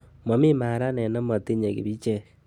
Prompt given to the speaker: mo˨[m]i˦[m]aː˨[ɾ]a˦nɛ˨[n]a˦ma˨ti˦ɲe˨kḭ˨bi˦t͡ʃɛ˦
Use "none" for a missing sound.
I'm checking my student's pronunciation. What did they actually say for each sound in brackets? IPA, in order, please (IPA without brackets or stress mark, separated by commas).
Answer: m, m, ɾ, n